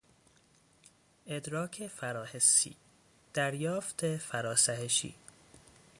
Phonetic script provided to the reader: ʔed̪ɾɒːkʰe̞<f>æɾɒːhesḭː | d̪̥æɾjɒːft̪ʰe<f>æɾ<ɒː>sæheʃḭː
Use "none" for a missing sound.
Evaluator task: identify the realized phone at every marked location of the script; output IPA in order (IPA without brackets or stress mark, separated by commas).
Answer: f, f, ɒː